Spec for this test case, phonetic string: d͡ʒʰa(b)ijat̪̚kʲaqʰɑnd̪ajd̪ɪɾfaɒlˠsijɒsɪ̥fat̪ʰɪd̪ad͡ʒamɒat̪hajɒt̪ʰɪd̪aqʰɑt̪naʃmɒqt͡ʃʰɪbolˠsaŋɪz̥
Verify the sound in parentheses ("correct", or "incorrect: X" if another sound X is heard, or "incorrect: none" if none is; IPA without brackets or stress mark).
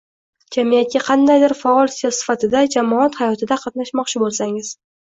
incorrect: m